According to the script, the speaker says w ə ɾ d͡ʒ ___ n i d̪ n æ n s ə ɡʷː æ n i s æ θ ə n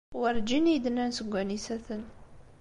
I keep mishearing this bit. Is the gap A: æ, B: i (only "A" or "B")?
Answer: B